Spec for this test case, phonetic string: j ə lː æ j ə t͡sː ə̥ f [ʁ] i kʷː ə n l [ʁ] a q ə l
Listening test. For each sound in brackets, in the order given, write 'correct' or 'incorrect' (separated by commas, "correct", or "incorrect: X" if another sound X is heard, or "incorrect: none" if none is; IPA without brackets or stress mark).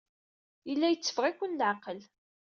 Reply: correct, incorrect: ʕ